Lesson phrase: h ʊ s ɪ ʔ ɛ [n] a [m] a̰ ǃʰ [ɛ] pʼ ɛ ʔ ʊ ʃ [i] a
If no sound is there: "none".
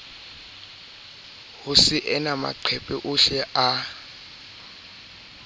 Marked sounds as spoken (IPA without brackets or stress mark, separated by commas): n, m, ɛ, ɛ